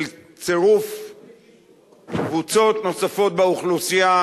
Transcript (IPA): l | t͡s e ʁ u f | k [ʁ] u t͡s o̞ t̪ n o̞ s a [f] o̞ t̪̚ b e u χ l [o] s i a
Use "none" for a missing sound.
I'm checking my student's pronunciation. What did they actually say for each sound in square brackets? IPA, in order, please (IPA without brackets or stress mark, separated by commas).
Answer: v, f, u